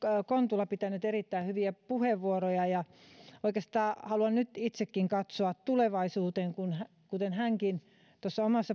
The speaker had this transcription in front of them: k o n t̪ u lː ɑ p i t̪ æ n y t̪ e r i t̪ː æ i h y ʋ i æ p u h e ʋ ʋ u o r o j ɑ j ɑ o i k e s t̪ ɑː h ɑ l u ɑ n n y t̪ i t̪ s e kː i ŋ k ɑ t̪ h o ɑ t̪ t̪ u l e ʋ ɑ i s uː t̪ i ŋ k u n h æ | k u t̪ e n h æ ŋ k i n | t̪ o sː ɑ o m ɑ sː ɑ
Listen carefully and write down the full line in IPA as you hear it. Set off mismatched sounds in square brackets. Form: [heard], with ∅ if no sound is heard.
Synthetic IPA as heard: k o n t̪ u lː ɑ p i t̪ æ n y t̪ e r i t̪ː æ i h y ʋ i æ p u h e ʋ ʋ u o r o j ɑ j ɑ o i k e s t̪ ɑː h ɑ l u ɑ n n y t̪ i t̪ s e kː i ŋ k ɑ t̪ [s] o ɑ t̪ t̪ u l e ʋ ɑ i s uː t̪ [e] ŋ k u n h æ | k u t̪ e n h æ ŋ k i n | t̪ o sː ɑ o m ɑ sː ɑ